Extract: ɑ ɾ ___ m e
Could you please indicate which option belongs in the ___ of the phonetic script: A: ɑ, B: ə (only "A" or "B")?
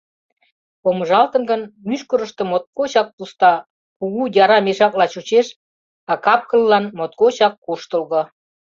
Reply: A